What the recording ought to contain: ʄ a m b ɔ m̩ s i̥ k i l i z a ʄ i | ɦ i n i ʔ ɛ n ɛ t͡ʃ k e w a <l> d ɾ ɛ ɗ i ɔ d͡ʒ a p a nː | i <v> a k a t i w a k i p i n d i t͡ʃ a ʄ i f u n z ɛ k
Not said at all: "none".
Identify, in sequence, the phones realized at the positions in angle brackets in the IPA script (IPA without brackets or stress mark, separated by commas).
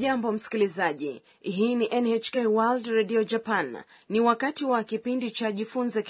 l, w